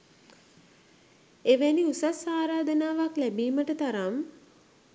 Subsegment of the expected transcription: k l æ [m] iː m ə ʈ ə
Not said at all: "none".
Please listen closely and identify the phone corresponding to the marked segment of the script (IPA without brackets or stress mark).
b